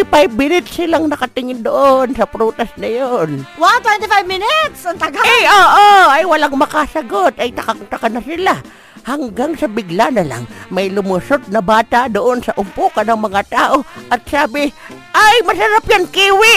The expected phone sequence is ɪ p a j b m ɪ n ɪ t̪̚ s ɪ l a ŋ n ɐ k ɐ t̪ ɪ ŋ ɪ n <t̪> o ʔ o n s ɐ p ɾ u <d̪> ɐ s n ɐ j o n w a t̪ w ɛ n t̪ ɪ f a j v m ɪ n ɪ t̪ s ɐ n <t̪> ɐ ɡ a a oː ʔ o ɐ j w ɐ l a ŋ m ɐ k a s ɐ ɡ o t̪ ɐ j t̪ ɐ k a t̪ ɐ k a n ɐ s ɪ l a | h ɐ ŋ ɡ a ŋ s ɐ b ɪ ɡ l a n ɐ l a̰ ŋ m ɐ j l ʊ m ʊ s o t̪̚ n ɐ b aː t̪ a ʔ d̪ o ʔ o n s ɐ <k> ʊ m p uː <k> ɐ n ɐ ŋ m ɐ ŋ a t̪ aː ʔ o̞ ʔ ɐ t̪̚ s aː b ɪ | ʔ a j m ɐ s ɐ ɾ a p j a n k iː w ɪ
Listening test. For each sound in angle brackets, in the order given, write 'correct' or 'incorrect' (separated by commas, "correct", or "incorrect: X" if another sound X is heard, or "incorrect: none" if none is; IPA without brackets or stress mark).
incorrect: d̪, incorrect: t̪, correct, incorrect: ʔ, correct